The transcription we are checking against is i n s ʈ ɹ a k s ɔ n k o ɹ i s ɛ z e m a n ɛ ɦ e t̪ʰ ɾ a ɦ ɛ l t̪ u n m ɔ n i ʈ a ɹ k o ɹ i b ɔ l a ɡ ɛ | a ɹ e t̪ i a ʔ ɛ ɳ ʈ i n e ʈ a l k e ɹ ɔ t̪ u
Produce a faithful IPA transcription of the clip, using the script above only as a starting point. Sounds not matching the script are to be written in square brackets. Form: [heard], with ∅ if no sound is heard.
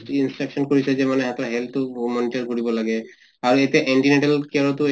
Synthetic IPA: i n s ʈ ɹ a k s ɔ n k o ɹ i s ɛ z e m a n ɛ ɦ [a] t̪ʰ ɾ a ɦ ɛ l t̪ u [∅] m ɔ n i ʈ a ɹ k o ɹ i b ɔ l a ɡ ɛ | a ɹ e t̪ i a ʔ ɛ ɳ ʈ i n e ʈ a l k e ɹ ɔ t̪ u